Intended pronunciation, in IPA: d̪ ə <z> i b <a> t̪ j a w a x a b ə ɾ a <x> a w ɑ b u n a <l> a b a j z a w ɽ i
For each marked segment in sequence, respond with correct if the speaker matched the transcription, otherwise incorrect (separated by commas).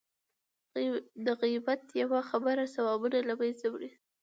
incorrect, correct, incorrect, correct